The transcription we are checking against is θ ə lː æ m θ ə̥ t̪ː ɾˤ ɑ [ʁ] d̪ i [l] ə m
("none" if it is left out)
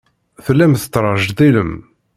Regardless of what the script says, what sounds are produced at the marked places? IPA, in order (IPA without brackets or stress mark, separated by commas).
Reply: ʒ, l